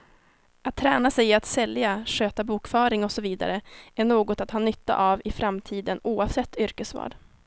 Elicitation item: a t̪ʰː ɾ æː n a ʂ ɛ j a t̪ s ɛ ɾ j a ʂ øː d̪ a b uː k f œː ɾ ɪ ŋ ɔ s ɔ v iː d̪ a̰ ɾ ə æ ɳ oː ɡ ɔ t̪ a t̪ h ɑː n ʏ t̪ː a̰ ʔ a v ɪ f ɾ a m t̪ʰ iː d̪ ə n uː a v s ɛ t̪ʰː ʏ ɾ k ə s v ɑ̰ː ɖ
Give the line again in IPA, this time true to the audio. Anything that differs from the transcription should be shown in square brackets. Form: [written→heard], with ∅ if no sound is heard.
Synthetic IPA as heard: a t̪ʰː ɾ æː n a [ʂ→s] ɛ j a t̪ s ɛ [ɾ→l] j a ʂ øː [d̪→t̪] a b uː k f œː ɾ ɪ ŋ ɔ s ɔ v iː d̪ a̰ ɾ ə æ ɳ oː ɡ ɔ t̪ a t̪ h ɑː n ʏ t̪ː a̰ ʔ a v ɪ f ɾ a m t̪ʰ iː d̪ ə n uː a v s ɛ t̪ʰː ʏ ɾ k ə s v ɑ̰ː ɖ

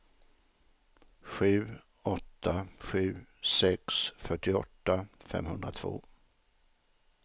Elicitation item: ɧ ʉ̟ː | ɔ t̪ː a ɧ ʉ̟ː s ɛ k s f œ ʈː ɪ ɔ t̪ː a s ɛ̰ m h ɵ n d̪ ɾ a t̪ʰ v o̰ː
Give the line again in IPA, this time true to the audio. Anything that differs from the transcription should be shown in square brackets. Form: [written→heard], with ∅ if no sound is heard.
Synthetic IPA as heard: ɧ ʉ̟ː | ɔ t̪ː a ɧ ʉ̟ː s ɛ k s f œ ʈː ɪ ɔ t̪ː a [s→f] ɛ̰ m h ɵ n d̪ ɾ a t̪ʰ v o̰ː

